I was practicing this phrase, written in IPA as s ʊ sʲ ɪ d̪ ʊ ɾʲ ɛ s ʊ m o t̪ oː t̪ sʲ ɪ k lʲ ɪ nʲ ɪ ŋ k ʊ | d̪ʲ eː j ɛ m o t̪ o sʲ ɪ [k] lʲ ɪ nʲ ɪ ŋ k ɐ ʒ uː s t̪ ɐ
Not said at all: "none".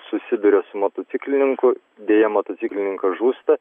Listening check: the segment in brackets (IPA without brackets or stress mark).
k